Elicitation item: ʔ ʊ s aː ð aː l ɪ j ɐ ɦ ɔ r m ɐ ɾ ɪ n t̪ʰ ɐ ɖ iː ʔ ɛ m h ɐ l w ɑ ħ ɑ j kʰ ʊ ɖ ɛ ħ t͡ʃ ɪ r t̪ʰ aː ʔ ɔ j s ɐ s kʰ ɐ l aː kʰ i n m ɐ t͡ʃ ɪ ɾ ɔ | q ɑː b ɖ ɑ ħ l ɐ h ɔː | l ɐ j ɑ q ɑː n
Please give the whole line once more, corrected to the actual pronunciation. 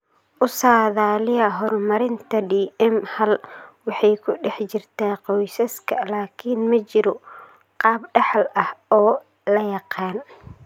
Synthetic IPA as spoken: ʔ ʊ s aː ð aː l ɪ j ɐ ɦ ɔ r m ɐ ɾ ɪ n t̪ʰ ɐ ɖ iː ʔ ɛ m h ɐ l w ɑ ħ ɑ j kʰ ʊ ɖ ɛ ħ t͡ʃ ɪ r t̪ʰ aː q ɔ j s ɐ s kʰ ɐ l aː kʰ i n m ɐ t͡ʃ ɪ ɾ ɔ | q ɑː b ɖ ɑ ħ l ɐ h ɔː | l ɐ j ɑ q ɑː n